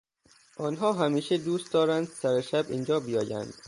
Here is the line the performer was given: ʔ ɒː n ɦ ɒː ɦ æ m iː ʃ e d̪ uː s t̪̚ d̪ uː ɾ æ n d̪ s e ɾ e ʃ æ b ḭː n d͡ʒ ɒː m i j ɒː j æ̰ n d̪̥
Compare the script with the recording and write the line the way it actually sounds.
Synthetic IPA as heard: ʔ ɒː n ɦ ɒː ɦ æ m iː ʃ e d̪ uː s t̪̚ d̪ ɒː ɾ æ n d̪ s æ ɾ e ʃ æ b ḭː n d͡ʒ ɒː b i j ɒː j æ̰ n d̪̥